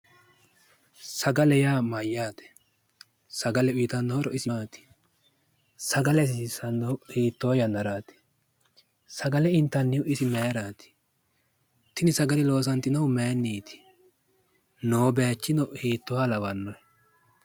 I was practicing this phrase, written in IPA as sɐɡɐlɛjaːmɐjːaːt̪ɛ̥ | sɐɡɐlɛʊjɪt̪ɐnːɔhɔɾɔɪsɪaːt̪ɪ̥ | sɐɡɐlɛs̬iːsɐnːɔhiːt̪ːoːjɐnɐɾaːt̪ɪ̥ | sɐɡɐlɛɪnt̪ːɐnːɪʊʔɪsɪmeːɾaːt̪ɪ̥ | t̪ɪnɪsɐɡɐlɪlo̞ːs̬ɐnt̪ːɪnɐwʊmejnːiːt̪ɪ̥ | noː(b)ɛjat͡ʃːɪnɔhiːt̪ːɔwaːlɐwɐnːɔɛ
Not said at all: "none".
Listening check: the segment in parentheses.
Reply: b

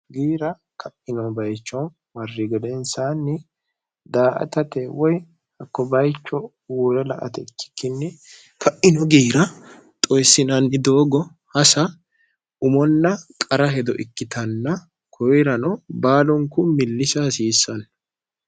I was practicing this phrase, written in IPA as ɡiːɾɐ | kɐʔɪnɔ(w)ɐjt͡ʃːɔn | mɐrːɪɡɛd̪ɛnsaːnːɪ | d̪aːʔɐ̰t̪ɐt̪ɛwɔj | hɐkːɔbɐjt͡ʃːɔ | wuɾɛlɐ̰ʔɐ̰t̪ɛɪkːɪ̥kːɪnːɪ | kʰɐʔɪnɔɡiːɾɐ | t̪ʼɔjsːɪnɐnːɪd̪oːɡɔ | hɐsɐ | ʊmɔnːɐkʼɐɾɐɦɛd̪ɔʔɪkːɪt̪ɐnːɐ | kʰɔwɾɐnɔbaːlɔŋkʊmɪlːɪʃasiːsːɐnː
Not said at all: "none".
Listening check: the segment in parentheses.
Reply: b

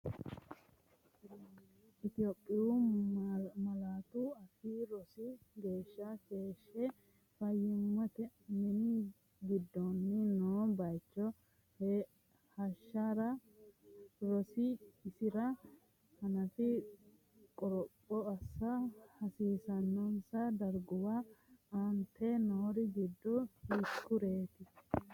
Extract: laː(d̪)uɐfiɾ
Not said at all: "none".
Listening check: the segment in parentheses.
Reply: t̪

